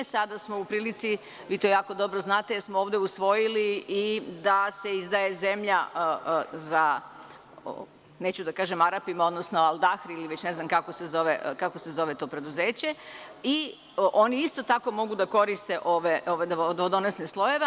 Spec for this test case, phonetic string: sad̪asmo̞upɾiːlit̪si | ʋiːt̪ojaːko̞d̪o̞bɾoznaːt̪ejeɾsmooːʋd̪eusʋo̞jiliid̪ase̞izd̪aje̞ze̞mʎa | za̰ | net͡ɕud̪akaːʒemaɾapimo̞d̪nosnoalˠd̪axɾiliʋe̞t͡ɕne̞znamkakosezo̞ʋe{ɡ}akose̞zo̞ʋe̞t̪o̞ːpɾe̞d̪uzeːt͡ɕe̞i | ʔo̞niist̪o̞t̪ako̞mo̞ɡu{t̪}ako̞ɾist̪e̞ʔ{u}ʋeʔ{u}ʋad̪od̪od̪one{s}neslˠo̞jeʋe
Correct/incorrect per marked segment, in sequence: incorrect: k, incorrect: d̪, incorrect: o, incorrect: o, correct

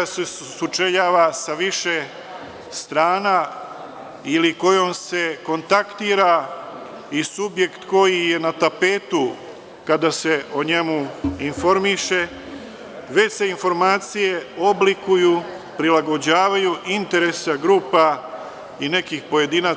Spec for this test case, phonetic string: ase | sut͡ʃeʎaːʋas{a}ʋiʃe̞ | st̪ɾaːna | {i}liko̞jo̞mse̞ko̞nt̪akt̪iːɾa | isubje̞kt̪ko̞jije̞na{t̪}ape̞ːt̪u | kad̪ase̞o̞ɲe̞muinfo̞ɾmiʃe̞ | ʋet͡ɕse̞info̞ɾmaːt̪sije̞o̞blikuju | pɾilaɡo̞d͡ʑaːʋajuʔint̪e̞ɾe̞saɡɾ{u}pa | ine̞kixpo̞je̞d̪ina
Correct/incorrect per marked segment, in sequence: correct, correct, correct, incorrect: uː

